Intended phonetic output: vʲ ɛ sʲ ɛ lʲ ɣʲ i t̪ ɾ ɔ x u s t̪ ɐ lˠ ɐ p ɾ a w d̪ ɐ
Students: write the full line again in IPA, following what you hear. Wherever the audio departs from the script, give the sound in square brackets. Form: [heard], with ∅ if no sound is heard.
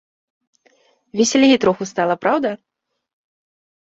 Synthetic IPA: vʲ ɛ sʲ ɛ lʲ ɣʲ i t̪ ɾ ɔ x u s t̪ [a] lˠ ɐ p ɾ a w d̪ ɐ